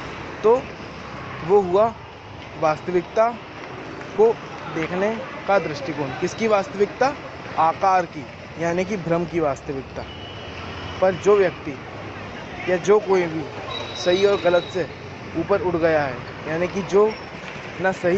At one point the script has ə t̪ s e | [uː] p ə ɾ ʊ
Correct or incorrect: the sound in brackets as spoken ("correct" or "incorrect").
correct